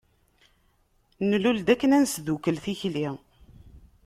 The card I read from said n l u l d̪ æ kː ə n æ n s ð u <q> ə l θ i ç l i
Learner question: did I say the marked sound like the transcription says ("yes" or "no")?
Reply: no